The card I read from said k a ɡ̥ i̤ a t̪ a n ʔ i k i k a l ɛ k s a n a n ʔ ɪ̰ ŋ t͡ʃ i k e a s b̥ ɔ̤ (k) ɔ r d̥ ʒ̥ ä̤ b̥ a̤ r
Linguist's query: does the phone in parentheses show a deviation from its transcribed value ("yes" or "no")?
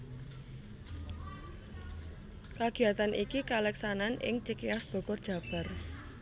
no